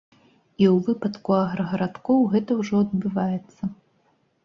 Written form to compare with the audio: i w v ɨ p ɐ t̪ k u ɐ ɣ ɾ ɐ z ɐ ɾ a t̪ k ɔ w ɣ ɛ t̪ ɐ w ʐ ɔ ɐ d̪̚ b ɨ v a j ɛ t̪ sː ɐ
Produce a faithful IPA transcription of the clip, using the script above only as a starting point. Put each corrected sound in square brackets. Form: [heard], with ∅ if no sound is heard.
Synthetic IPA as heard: i w v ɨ p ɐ t̪ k u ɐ ɣ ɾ ɐ [ɣ] ɐ ɾ a t̪ k ɔ w ɣ ɛ t̪ ɐ w ʐ ɔ ɐ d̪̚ b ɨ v a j ɛ t̪ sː ɐ

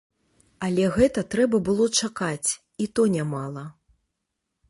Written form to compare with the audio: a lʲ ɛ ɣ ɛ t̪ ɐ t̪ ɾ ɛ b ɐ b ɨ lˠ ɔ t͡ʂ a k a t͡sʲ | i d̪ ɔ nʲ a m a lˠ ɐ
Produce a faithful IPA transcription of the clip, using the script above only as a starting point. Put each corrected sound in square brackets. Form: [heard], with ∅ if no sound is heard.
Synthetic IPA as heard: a lʲ ɛ ɣ ɛ t̪ ɐ t̪ ɾ ɛ b ɐ b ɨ lˠ ɔ t͡ʂ a k a t͡sʲ | i [t̪] ɔ nʲ a m a lˠ ɐ

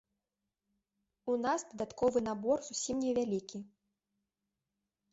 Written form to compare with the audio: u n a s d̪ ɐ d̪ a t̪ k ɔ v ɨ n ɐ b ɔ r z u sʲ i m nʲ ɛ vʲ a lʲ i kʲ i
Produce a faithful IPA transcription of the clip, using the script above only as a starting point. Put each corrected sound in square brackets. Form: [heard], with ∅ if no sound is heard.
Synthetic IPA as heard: u n a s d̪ ɐ d̪ a t̪ k ɔ v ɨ n [a] b ɔ r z u sʲ i m nʲ ɛ vʲ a lʲ i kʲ i

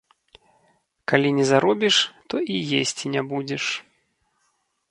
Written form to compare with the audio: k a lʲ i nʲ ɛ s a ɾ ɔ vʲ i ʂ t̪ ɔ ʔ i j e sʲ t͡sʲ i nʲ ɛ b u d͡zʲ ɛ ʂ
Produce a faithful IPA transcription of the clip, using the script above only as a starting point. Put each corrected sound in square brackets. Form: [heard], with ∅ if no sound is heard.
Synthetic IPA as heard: k a lʲ i nʲ ɛ [z] a ɾ ɔ [bʲ] i ʂ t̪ ɔ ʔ i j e sʲ t͡sʲ i nʲ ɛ b u d͡zʲ ɛ ʂ

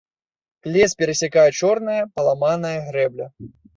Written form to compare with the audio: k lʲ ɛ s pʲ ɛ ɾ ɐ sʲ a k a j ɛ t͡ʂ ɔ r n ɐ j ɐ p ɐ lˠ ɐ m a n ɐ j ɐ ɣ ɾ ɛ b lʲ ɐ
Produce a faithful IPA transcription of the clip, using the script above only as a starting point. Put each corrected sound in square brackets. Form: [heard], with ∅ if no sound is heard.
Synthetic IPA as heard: k lʲ ɛ s pʲ ɛ ɾ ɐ sʲ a k a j ɛ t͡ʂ ɔ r n ɐ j ɐ p ɐ lˠ [a] m a n ɐ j ɐ ɣ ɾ ɛ b lʲ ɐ

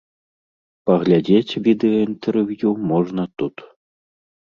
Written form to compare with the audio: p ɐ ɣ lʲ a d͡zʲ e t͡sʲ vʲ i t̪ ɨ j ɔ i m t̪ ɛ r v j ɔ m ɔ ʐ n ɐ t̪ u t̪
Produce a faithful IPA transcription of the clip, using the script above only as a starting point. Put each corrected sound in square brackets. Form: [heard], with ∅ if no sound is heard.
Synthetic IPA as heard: p ɐ ɣ lʲ a d͡zʲ e t͡sʲ vʲ i [d̪] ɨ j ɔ i [n] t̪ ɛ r v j [u] m ɔ ʐ n ɐ t̪ u t̪

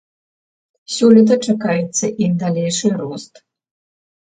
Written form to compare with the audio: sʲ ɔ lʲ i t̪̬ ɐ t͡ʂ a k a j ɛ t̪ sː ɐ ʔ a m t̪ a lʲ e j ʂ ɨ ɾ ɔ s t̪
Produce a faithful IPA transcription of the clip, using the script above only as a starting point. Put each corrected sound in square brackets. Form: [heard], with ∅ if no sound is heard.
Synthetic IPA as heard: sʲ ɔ lʲ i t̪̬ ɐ t͡ʂ a k a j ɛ t̪ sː ɐ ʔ [i] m [d̪] a lʲ e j ʂ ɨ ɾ ɔ s t̪

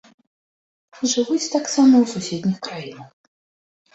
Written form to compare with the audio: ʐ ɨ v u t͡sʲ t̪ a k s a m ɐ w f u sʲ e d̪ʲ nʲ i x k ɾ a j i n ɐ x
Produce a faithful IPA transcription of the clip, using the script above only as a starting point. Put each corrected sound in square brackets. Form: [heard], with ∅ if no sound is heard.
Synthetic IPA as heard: ʐ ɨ v u t͡sʲ t̪ a k s a m ɐ w [s] u sʲ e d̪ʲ nʲ i x k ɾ a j i n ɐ x

